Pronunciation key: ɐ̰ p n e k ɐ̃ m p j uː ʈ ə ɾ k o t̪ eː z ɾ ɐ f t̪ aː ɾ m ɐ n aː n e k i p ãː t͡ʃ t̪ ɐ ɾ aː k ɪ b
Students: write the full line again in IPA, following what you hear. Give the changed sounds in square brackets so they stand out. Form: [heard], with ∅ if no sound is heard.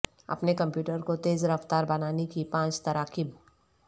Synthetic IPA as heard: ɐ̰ p n e k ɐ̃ m p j uː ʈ ə ɾ k o t̪ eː z ɾ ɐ f t̪ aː ɾ [b] ɐ n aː n e k i p ãː t͡ʃ t̪ ɐ ɾ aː k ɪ b